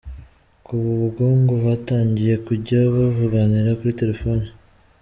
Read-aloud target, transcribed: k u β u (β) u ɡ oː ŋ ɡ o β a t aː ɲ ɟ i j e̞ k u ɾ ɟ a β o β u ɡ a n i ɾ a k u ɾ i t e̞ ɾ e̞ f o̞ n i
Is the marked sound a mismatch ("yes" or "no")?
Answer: no